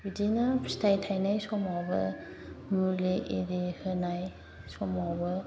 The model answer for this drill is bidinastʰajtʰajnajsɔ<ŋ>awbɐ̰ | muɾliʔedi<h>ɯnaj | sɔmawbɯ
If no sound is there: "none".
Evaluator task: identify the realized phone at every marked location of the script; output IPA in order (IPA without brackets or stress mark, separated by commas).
m, h